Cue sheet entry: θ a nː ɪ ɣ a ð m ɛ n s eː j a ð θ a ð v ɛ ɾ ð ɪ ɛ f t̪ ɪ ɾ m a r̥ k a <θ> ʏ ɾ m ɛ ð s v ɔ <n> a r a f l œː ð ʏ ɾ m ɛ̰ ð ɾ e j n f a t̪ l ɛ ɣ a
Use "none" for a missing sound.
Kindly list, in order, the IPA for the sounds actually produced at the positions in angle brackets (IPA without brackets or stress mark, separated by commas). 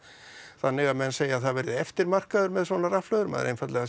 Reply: ð, n